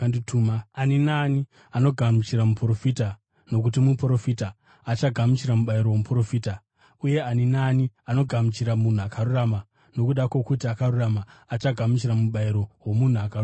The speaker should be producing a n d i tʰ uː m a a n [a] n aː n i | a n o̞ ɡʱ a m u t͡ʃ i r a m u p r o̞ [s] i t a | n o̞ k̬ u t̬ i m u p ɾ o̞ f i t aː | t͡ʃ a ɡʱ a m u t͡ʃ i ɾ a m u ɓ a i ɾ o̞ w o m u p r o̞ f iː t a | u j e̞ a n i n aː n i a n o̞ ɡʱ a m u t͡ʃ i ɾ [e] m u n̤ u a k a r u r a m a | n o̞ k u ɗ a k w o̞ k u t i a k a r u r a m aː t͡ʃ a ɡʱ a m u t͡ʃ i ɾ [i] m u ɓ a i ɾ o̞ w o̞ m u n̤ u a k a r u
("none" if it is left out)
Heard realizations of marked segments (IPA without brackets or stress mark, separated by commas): i, f, a, a